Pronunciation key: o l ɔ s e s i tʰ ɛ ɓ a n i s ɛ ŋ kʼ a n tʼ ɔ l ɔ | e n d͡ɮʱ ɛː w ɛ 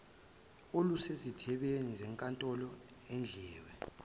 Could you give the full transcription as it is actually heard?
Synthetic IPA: o l u s e z i tʰ ɛ ɓ e n i z ɛ ŋ kʼ a n tʼ ɔ l ɔ | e n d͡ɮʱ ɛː w ɛ